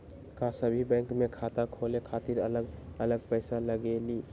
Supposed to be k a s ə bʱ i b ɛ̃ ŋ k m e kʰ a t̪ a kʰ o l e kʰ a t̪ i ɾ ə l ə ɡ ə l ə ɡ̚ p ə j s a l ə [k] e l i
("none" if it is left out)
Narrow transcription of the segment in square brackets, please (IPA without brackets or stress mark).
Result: ɡ